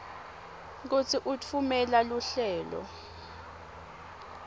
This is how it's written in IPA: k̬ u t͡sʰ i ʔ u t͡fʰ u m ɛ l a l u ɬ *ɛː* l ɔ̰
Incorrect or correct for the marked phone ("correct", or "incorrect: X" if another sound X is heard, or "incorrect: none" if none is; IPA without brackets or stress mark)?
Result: correct